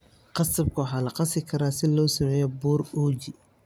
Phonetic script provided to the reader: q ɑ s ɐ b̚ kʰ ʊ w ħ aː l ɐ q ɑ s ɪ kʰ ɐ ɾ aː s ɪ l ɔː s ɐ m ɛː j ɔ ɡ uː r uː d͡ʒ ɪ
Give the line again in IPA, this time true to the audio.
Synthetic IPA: q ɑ s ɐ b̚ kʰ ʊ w ħ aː l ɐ q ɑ s ɪ kʰ ɐ ɾ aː s ɪ l ɔː s ɐ m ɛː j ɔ b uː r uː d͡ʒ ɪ